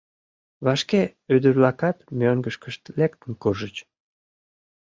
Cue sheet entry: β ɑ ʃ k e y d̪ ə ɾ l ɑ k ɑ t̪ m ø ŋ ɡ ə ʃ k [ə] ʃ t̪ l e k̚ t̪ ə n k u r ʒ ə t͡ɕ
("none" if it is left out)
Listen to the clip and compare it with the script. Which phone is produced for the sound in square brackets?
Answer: ə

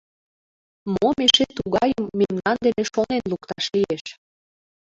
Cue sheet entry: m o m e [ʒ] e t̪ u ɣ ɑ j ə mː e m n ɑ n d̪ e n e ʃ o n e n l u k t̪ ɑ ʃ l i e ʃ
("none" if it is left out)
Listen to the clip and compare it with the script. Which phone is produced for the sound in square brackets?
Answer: ʃ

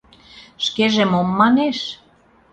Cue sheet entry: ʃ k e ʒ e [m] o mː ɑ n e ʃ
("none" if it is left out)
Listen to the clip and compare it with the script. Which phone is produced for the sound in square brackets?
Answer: m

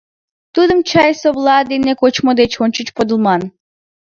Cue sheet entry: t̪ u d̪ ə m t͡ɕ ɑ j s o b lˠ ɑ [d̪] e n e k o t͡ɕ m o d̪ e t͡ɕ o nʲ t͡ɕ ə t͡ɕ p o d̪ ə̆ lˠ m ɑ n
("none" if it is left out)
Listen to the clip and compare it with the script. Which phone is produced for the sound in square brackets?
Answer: d̪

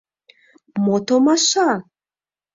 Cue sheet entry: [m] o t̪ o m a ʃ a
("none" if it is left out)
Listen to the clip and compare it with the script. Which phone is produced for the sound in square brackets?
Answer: m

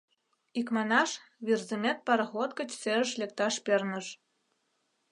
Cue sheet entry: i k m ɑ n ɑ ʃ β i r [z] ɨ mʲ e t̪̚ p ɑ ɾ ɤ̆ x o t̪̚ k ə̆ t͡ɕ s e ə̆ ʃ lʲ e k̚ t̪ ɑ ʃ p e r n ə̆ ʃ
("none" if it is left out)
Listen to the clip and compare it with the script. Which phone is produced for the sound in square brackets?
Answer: z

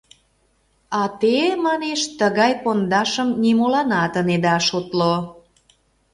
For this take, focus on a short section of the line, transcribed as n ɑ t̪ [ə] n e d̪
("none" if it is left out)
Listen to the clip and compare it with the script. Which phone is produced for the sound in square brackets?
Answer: ə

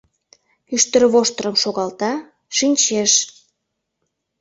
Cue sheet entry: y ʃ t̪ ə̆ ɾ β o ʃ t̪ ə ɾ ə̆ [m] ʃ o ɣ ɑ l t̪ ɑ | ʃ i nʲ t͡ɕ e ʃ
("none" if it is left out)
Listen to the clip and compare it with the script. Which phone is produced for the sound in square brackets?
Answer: m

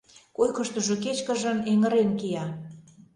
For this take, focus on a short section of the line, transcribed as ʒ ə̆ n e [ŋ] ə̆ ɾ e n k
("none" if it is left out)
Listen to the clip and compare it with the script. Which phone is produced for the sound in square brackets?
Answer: ŋ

